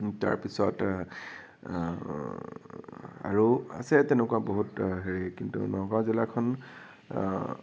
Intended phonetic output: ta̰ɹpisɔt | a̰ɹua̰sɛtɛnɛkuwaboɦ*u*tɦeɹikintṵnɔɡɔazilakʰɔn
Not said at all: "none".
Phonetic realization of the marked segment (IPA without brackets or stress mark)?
u